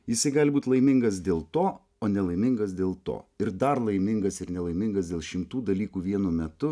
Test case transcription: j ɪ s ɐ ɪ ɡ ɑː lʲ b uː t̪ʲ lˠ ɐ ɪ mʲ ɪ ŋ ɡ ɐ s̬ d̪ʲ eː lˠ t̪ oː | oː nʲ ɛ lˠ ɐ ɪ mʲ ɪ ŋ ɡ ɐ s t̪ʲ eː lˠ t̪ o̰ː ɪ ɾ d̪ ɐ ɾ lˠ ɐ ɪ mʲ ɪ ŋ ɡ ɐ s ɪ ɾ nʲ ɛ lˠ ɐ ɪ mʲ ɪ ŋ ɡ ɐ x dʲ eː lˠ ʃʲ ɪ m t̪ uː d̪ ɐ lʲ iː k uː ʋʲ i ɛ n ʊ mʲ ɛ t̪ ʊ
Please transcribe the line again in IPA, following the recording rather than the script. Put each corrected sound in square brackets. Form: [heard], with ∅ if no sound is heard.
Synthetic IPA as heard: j ɪ s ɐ ɪ ɡ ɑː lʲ b uː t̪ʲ lˠ ɐ ɪ mʲ ɪ ŋ ɡ ɐ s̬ d̪ʲ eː lˠ t̪ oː | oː nʲ ɛ lˠ ɐ ɪ mʲ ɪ ŋ ɡ ɐ s [d̪ʲ] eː lˠ t̪ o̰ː ɪ ɾ d̪ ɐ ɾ lˠ ɐ ɪ mʲ ɪ ŋ ɡ ɐ s ɪ ɾ nʲ ɛ lˠ ɐ ɪ mʲ ɪ ŋ ɡ ɐ [s] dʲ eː lˠ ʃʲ ɪ m t̪ uː d̪ ɐ lʲ iː k uː ʋʲ i ɛ n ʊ mʲ ɛ t̪ ʊ